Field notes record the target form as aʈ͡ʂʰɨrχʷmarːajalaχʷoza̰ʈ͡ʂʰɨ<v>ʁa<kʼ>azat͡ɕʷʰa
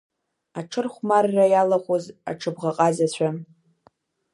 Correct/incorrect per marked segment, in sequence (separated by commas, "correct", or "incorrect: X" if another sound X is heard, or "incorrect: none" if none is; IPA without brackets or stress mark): incorrect: b, incorrect: qʼ